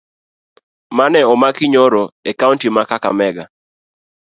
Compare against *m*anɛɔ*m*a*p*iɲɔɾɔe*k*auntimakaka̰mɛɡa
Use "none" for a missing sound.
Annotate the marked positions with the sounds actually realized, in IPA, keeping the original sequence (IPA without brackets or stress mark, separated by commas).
m, m, k, k